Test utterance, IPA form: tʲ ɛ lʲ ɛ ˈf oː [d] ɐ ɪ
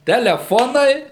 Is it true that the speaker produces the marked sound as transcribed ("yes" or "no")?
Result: no